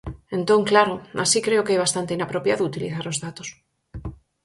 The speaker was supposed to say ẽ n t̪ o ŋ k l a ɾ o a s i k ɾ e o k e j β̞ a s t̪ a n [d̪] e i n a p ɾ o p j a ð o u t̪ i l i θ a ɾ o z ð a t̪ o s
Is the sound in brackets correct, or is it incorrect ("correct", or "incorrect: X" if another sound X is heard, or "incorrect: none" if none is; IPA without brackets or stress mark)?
incorrect: t̪